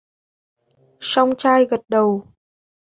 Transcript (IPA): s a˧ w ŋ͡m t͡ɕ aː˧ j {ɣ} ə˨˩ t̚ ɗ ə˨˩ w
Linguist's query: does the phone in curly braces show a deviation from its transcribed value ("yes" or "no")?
no